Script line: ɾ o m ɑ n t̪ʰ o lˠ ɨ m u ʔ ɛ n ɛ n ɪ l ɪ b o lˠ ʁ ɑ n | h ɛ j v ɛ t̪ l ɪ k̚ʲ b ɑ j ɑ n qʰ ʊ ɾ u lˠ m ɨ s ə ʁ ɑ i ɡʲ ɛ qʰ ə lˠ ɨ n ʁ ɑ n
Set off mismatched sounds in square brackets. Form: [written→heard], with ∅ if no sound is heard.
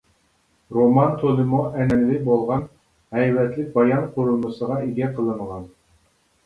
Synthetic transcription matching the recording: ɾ o m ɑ n t̪ʰ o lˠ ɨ m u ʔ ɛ n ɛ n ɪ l ɪ b o lˠ ʁ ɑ n | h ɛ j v ɛ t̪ l ɪ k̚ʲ b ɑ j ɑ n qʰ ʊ ɾ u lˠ m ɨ s ə ʁ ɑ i ɡʲ ɛ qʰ ə lˠ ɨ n ʁ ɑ n

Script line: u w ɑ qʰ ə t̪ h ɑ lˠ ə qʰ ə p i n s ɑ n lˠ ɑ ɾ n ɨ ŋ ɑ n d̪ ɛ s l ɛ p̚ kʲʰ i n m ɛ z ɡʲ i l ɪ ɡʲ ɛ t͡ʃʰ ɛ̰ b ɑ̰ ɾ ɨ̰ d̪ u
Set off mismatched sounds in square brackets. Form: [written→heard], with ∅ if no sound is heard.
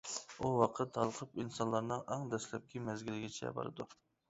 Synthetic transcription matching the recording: u w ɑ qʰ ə t̪ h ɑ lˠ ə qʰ ə p i n s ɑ n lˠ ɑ ɾ n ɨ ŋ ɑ [n→ŋ] d̪ ɛ s l ɛ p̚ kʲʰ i [n→∅] m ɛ z ɡʲ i l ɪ ɡʲ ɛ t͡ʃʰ ɛ̰ b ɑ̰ ɾ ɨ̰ d̪ u

